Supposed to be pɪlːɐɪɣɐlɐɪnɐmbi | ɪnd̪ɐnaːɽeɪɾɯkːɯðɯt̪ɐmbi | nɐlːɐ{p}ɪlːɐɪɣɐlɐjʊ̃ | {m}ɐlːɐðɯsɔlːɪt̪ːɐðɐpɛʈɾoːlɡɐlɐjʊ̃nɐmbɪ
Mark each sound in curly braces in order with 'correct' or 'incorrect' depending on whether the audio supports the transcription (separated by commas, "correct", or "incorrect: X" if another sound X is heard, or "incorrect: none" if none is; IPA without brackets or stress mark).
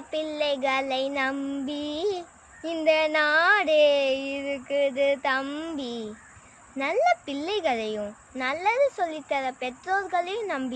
correct, incorrect: n